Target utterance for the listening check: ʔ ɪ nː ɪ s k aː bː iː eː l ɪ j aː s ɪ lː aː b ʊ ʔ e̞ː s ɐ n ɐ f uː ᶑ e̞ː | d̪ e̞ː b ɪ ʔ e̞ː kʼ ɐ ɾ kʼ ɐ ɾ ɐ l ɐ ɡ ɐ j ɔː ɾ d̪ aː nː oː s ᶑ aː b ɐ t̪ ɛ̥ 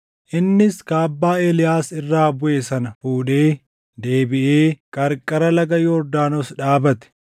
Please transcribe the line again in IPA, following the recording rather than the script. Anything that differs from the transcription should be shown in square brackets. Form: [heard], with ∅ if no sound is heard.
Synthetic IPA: ʔ ɪ nː ɪ s k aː bː [aː] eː l ɪ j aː s ɪ [rː] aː b ʊ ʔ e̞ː s ɐ n ɐ f uː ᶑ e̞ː | d̪ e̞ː b ɪ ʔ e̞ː kʼ ɐ ɾ kʼ ɐ ɾ ɐ l ɐ ɡ ɐ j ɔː ɾ d̪ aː [n] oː s ᶑ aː b ɐ t̪ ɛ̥

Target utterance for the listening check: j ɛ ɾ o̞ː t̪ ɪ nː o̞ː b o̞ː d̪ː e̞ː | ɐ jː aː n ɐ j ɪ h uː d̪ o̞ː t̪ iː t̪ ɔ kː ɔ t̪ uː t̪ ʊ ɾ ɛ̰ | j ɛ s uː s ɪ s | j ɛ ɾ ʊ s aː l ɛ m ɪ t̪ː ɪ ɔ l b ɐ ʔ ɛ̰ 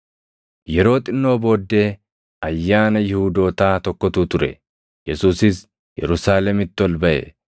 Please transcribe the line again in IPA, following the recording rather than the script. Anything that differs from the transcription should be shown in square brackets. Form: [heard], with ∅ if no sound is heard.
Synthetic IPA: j ɛ ɾ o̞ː [t̪ʼ] ɪ nː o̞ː b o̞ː d̪ː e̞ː | ɐ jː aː n ɐ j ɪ h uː d̪ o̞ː t̪ [aː] t̪ ɔ kː ɔ t̪ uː t̪ ʊ ɾ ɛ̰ | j ɛ s uː s ɪ s | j ɛ ɾ ʊ s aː l ɛ m ɪ t̪ː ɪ ɔ l b ɐ ʔ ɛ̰

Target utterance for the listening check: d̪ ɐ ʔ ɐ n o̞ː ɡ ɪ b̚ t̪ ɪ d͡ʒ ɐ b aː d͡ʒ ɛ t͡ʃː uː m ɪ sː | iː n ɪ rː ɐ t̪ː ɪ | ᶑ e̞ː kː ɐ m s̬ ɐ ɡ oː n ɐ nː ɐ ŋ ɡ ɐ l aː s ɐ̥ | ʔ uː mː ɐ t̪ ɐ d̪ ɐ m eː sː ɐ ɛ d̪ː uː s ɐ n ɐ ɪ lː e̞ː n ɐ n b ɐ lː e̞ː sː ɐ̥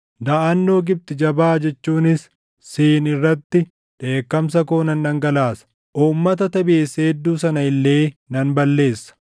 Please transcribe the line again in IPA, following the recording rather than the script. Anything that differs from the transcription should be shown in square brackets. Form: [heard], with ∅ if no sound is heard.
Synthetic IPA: d̪ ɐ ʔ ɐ [nː] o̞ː ɡ ɪ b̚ t̪ ɪ d͡ʒ ɐ b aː d͡ʒ ɛ t͡ʃː uː [n] ɪ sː | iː n ɪ rː ɐ t̪ː ɪ | ᶑ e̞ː kː ɐ m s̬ ɐ [k] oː n ɐ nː ɐ ŋ ɡ ɐ l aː s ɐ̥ | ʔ uː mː ɐ t̪ ɐ [t̪] ɐ [b] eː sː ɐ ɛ d̪ː uː s ɐ n ɐ ɪ lː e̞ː n ɐ n b ɐ lː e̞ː sː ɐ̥

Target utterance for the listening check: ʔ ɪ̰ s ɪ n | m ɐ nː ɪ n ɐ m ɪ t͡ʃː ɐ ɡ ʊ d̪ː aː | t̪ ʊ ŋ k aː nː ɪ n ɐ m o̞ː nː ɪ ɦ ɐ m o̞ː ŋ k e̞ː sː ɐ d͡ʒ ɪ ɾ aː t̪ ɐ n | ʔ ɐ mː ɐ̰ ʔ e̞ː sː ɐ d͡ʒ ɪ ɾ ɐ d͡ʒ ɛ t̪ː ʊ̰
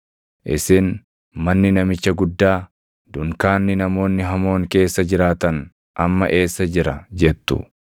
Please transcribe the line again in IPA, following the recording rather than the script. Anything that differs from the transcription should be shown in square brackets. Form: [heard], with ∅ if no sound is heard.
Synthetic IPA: ʔ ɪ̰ s ɪ n | m ɐ nː ɪ n ɐ m ɪ t͡ʃː ɐ ɡ ʊ d̪ː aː | [d̪] ʊ ŋ k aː nː ɪ n ɐ m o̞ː nː ɪ ɦ ɐ m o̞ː ŋ k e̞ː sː ɐ d͡ʒ ɪ ɾ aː t̪ ɐ n | ʔ ɐ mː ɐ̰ ʔ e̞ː sː ɐ d͡ʒ ɪ ɾ ɐ d͡ʒ ɛ t̪ː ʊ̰

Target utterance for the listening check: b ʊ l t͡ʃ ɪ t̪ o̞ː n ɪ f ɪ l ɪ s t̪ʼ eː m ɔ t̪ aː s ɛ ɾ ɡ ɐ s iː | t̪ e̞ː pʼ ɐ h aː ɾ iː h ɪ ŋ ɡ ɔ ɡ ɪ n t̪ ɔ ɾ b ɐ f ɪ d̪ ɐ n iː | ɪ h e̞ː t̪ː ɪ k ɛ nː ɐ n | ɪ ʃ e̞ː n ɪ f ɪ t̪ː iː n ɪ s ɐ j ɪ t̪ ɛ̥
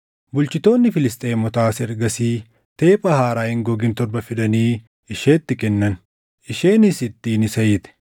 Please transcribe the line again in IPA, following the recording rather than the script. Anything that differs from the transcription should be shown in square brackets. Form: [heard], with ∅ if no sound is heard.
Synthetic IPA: b ʊ l t͡ʃ ɪ t̪ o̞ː [nː] ɪ f ɪ l ɪ s t̪ʼ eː m ɔ t̪ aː s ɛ ɾ ɡ ɐ s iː | t̪ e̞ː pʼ ɐ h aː ɾ [aː] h ɪ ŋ ɡ ɔ ɡ ɪ n t̪ ɔ ɾ b ɐ f ɪ d̪ ɐ n iː | ɪ [ʃ] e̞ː t̪ː ɪ k ɛ nː ɐ n | ɪ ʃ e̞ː n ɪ [s] ɪ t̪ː iː n ɪ s ɐ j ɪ t̪ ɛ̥

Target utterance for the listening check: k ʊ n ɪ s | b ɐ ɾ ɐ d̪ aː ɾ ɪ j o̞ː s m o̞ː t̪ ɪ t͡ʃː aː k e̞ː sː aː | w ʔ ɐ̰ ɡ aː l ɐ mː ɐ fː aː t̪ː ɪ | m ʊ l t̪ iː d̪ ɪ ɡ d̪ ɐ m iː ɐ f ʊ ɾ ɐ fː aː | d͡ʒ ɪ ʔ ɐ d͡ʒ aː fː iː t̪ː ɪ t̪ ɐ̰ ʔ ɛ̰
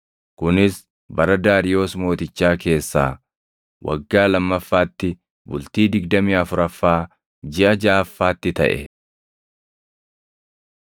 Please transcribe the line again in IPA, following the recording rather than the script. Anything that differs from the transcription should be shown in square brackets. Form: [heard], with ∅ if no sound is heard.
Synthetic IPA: k ʊ n ɪ s | b ɐ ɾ ɐ d̪ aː ɾ ɪ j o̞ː s m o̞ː t̪ ɪ t͡ʃː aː k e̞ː sː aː | w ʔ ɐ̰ [ɡː] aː l ɐ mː ɐ fː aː t̪ː ɪ | [b] ʊ l t̪ iː d̪ ɪ ɡ d̪ ɐ m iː ɐ f ʊ ɾ ɐ fː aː | d͡ʒ ɪ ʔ ɐ d͡ʒ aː fː [aː] t̪ː ɪ t̪ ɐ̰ ʔ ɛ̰

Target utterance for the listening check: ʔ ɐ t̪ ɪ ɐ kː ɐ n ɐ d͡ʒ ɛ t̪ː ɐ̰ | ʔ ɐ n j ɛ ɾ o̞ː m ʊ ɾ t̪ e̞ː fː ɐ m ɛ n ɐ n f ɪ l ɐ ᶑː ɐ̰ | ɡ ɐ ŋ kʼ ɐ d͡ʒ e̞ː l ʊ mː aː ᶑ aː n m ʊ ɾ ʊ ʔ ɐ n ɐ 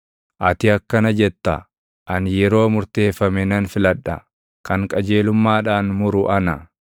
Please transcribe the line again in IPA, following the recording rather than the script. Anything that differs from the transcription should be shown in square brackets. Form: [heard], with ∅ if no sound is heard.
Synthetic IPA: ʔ ɐ t̪ ɪ ɐ kː ɐ n ɐ d͡ʒ ɛ t̪ː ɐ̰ | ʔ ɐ n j ɛ ɾ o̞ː m ʊ ɾ t̪ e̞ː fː ɐ m ɛ n ɐ n f ɪ l ɐ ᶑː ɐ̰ | [k] ɐ ŋ kʼ ɐ d͡ʒ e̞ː l ʊ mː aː ᶑ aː n m ʊ ɾ ʊ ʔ ɐ n ɐ

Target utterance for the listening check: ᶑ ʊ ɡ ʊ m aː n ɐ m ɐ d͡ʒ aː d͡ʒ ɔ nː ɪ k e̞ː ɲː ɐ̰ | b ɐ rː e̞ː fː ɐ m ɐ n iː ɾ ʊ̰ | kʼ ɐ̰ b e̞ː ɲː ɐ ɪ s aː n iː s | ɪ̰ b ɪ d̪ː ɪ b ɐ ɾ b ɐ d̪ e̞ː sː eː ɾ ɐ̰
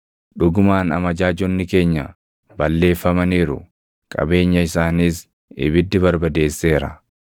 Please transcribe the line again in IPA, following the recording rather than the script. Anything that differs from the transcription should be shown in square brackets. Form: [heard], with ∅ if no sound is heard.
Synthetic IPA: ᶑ ʊ ɡ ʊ m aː n ɐ m ɐ d͡ʒ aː d͡ʒ ɔ nː ɪ k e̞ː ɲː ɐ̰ | b ɐ [lː] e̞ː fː ɐ m ɐ n iː ɾ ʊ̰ | kʼ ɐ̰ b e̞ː ɲː ɐ ɪ s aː n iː s | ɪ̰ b ɪ d̪ː ɪ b ɐ ɾ b ɐ d̪ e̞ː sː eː ɾ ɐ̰

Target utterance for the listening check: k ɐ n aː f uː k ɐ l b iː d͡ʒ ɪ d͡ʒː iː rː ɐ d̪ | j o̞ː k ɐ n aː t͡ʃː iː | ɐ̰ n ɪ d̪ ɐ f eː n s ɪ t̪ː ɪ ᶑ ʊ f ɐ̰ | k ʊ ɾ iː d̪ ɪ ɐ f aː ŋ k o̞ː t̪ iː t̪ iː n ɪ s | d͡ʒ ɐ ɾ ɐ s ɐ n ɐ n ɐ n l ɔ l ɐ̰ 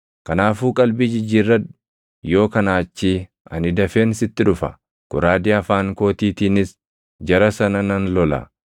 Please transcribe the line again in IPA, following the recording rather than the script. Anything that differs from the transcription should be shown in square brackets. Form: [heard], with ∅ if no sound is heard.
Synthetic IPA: k ɐ n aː f uː [kʼ] ɐ l b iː d͡ʒ ɪ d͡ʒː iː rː ɐ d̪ | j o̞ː k ɐ n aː t͡ʃː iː | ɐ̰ n ɪ d̪ ɐ f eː n s ɪ t̪ː ɪ ᶑ ʊ f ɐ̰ | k ʊ ɾ [aː] d̪ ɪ ɐ f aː ŋ k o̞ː t̪ iː t̪ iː n ɪ s | d͡ʒ ɐ ɾ ɐ s ɐ n ɐ n ɐ n l ɔ l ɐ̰

